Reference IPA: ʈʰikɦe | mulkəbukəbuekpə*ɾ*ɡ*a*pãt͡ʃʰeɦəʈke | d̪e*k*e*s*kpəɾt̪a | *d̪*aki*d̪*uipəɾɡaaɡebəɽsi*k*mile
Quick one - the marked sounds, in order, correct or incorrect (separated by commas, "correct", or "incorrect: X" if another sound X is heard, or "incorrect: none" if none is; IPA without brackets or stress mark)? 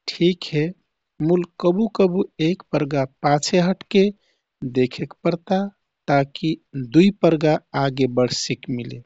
correct, correct, incorrect: kʰ, incorrect: none, incorrect: t̪, correct, correct